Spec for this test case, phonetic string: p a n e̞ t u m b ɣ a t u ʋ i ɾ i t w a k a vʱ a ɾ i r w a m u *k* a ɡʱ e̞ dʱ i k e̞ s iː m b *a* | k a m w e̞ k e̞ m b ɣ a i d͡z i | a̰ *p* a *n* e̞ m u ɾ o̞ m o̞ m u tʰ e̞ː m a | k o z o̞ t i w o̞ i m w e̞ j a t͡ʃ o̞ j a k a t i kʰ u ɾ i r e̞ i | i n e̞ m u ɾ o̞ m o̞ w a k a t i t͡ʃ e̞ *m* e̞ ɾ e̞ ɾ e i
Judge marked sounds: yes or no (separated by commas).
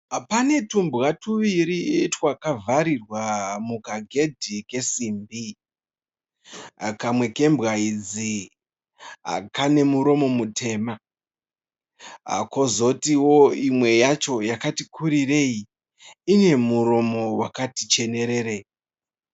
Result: yes, no, no, yes, no